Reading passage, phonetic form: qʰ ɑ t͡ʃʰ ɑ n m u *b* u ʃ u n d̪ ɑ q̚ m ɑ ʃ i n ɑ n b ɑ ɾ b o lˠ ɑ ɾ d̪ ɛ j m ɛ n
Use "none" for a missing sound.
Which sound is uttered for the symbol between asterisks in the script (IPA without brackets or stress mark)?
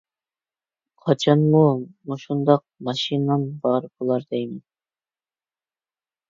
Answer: m